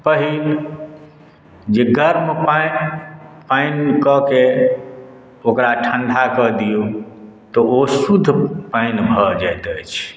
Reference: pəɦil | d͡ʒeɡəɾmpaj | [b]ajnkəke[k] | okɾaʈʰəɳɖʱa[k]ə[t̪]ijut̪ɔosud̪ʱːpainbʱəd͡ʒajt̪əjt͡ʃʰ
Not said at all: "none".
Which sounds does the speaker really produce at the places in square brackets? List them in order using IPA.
p, none, k, d̪

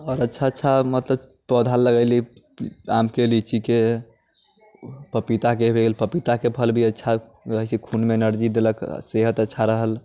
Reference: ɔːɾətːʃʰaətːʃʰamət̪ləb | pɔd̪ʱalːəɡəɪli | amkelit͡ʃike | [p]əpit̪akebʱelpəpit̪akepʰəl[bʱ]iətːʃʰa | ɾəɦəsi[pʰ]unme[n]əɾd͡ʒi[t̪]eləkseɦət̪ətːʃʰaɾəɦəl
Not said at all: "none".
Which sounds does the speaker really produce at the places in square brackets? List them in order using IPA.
p, bʱ, kʰ, n, d̪

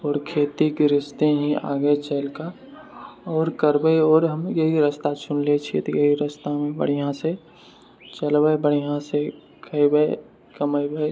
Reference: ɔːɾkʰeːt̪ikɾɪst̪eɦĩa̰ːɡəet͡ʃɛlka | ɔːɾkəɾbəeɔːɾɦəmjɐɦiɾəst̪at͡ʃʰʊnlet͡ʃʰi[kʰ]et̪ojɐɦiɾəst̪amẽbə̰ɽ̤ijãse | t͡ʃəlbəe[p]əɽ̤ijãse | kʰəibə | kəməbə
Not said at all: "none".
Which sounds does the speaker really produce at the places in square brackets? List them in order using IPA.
none, b

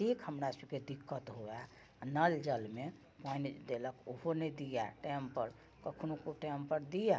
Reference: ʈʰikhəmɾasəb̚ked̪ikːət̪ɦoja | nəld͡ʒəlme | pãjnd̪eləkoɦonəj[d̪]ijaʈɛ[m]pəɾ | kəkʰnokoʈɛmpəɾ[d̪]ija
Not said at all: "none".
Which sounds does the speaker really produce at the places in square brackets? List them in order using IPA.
d̪, m, d̪

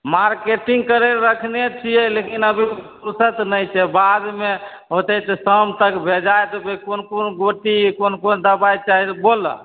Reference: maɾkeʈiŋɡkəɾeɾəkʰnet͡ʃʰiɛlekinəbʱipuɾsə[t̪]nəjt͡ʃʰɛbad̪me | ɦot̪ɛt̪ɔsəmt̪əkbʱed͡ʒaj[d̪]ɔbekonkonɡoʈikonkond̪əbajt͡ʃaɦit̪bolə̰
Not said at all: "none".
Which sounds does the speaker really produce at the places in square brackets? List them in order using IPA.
t̪, t̪

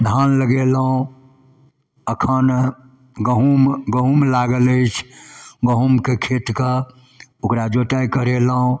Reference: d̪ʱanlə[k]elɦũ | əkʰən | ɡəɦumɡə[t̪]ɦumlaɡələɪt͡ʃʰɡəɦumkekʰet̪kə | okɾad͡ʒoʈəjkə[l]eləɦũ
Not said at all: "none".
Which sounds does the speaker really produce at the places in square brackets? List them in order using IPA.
ɡ, none, ɾ

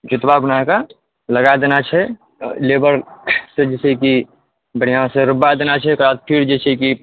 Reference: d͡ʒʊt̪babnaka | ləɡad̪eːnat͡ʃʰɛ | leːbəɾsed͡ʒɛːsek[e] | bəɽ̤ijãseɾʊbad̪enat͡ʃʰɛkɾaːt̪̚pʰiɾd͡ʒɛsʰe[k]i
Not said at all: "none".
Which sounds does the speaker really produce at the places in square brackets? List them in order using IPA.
i, k

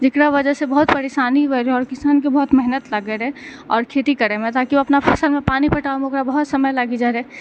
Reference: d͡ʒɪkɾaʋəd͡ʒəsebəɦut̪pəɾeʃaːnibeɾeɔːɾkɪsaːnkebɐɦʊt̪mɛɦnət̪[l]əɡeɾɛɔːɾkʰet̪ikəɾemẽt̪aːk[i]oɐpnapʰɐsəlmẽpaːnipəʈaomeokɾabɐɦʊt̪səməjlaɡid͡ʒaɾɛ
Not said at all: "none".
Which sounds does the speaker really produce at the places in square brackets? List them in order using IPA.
l, i

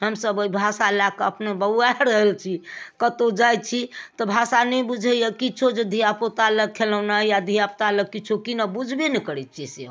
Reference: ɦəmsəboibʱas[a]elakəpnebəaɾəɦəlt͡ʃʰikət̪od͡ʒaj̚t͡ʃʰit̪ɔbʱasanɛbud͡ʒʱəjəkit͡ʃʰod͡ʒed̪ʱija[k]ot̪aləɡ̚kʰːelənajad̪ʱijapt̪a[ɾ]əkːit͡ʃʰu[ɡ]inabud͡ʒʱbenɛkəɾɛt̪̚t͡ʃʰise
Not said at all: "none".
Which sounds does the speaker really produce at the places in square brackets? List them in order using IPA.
a, p, l, k

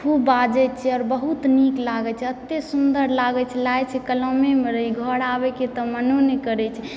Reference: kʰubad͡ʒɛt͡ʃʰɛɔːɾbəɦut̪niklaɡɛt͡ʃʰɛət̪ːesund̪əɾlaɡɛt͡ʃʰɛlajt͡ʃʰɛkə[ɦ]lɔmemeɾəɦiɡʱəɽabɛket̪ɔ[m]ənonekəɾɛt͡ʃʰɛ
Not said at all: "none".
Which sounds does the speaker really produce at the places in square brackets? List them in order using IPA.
none, m

